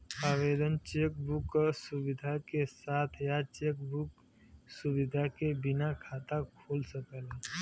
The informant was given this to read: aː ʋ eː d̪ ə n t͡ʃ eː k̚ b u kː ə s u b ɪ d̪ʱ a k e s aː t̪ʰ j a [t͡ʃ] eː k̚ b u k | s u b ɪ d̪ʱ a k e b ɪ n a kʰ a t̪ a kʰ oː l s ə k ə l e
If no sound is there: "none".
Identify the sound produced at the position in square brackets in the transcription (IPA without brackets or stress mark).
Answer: t͡ʃ